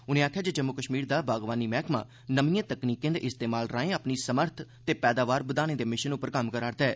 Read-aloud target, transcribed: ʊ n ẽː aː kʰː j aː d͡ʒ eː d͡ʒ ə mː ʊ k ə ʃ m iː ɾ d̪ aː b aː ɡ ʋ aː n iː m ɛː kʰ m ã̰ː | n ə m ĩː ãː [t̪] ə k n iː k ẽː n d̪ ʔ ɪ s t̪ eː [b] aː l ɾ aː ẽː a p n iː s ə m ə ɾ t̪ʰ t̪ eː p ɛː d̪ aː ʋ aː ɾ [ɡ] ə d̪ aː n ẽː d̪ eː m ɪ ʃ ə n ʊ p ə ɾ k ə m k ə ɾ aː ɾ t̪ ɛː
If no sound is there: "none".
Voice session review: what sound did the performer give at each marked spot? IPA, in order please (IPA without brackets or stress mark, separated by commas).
t̪, m, b